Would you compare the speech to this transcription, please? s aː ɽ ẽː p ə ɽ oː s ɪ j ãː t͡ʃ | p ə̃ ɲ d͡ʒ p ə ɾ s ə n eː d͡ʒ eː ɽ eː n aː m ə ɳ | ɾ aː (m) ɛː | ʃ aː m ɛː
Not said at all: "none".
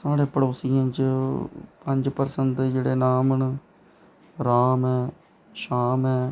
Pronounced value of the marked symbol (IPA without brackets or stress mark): m